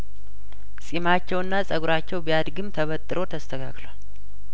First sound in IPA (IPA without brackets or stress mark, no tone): sʼ